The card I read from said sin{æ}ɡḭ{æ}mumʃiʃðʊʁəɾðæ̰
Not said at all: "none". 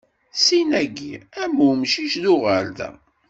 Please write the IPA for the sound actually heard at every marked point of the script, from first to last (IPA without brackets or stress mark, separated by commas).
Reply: æ, æ